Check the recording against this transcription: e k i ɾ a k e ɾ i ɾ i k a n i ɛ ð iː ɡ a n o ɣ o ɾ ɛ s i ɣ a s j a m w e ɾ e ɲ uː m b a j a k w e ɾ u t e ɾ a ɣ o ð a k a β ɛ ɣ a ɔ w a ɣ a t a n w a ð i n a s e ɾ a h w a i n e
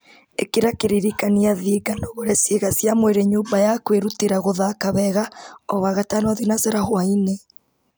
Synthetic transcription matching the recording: e k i ɾ a k e ɾ i ɾ i k a n i a ð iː ɡ a n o ɣ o ɾ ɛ s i ɣ a s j a m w e ɾ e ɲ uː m b a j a k w e ɾ u t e ɾ a ɣ o ð a k a β ɛ ɣ a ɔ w a ɣ a t a n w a ð i n a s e ɾ a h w a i n e